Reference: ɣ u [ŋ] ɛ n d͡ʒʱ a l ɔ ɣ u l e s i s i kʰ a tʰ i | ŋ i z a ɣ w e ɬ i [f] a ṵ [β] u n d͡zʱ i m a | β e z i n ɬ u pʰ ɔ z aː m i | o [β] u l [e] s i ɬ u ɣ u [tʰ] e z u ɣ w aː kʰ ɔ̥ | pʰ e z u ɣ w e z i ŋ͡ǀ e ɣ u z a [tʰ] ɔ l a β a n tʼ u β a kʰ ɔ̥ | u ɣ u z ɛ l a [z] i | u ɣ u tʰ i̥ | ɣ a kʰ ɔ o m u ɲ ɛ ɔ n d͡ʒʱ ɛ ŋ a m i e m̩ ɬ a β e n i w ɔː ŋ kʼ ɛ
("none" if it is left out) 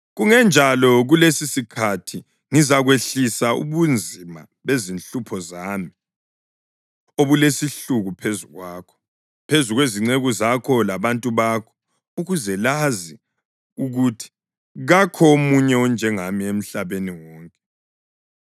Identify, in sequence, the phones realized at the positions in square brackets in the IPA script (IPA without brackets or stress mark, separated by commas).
ŋ, s, β, β, e, pʰ, kʰ, z